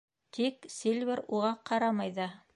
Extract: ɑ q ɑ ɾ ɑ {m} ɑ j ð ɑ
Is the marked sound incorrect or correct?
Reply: correct